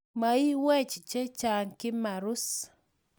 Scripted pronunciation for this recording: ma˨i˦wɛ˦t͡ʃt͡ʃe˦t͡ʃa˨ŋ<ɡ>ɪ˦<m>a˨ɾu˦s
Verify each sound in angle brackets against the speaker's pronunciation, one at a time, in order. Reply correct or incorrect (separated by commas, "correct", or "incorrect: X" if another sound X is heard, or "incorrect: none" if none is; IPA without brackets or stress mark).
incorrect: k, correct